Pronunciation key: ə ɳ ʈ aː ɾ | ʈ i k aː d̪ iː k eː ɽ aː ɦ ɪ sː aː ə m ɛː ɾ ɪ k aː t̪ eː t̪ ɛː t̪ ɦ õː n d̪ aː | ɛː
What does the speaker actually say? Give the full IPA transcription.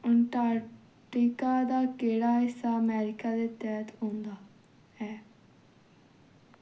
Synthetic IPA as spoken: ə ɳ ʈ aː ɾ | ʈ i k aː d̪ aː k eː ɽ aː ɦ ɪ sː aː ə m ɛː ɾ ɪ k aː d̪ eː t̪ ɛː t̪ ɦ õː n d̪ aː | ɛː